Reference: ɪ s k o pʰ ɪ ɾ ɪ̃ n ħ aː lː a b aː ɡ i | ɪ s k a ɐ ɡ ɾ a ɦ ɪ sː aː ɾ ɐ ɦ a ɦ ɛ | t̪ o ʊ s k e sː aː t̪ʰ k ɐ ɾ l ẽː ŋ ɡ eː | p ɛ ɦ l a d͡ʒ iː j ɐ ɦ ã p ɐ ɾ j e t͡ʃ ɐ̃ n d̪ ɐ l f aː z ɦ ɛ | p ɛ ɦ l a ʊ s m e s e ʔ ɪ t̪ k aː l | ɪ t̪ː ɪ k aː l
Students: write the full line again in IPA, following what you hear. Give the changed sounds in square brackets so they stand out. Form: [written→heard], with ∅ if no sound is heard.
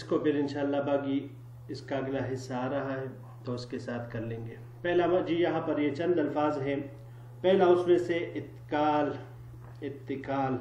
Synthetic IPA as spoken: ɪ s k o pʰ ɪ ɾ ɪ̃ n [ħ→ʃ] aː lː a b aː ɡ i | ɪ s k a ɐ ɡ [ɾ→l] a ɦ ɪ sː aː ɾ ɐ ɦ a ɦ ɛ | t̪ o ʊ s k e [sː→s] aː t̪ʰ k ɐ ɾ l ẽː ŋ ɡ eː | p ɛ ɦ l a d͡ʒ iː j ɐ ɦ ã p ɐ ɾ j e t͡ʃ ɐ̃ n d̪ ɐ l f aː z ɦ ɛ | p ɛ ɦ l a ʊ s m [e→ẽ] s e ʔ ɪ t̪ k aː l | ɪ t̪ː ɪ k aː l